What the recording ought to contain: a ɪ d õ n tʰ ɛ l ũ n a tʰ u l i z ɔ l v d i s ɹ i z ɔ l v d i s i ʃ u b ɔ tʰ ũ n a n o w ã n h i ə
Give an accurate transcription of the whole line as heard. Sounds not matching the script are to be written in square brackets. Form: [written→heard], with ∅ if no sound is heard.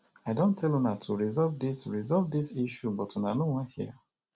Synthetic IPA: a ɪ d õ n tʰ ɛ l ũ n a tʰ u [l→ɹ] i z ɔ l v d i s ɹ i z ɔ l v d i s i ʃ u b ɔ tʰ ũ n a n o w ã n h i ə

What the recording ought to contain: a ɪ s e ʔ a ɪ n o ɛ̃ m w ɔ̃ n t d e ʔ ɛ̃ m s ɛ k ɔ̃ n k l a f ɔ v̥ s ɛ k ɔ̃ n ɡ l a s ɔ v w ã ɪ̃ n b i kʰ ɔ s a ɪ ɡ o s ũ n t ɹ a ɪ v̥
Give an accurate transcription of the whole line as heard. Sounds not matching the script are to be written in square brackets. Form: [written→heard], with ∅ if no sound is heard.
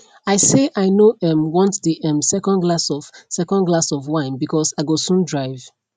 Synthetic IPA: a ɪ s e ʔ a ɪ n o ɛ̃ m w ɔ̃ n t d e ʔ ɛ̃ m s ɛ k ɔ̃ n [k→ɡ] l a [f→s] ɔ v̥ s ɛ k ɔ̃ n ɡ l a s ɔ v w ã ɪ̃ n b i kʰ ɔ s a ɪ ɡ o s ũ n [t→d] ɹ a ɪ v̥

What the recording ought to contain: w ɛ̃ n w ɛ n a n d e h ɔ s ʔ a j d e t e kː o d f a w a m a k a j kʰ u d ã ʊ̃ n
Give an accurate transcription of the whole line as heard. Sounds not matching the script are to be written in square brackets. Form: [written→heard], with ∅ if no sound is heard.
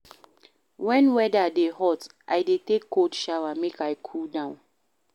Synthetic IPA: w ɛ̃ n w ɛ [n→d] a [n→∅] d e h ɔ [s→t] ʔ a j d e t e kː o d [f→ʃ] a w a m [a→e] k a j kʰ u d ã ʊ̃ n

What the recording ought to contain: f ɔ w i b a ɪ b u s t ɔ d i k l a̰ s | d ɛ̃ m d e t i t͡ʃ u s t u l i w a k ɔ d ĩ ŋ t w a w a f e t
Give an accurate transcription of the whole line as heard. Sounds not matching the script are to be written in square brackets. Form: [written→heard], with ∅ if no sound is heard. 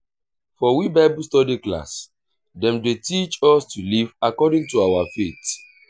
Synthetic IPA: f ɔ w i b a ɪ b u s t ɔ d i k l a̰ s | d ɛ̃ m d e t i t͡ʃ [u→ɔ] s t u l i [w→v] a k ɔ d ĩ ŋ t [w→u] a w a f e t

